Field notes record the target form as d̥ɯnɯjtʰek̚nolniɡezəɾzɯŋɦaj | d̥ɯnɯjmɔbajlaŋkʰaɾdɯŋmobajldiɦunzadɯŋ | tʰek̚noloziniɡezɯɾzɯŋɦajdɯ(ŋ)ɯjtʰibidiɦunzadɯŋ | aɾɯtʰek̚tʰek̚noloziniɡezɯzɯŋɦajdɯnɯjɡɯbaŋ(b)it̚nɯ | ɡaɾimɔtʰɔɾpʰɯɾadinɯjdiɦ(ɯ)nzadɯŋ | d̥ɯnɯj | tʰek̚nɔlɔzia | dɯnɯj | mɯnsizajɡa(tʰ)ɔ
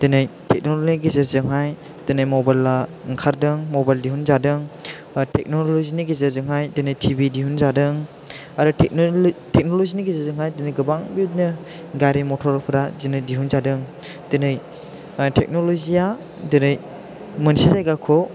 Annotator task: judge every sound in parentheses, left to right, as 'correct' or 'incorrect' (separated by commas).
incorrect, correct, incorrect, incorrect